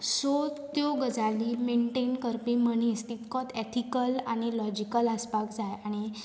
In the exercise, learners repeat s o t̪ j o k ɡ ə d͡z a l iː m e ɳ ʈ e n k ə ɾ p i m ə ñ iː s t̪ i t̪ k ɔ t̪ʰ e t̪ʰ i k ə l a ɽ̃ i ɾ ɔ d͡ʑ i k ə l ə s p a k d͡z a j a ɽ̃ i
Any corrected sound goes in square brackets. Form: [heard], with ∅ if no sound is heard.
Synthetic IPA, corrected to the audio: s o t̪ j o [∅] ɡ ə d͡z a l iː m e ɳ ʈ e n k ə ɾ p i m ə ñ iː s t̪ i t̪ k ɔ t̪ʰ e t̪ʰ i k ə l a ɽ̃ i [l] ɔ d͡ʑ i k ə l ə s p a k d͡z a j a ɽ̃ i